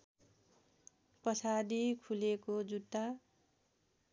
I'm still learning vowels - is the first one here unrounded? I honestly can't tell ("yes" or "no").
yes